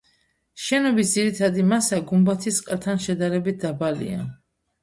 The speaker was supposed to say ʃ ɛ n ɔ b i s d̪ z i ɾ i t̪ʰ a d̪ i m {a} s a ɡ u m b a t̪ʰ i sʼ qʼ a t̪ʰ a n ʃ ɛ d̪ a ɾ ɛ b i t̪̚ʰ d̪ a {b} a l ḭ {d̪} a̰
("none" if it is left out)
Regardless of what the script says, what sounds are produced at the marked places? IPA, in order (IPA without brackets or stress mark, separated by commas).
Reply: a, b, none